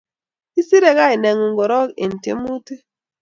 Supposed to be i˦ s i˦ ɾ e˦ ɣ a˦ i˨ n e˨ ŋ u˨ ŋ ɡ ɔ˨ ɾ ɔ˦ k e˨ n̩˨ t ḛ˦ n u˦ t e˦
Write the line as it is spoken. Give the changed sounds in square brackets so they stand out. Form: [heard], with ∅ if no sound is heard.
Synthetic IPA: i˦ s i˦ ɾ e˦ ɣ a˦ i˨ n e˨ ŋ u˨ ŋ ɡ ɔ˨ ɾ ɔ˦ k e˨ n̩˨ t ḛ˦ [m] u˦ t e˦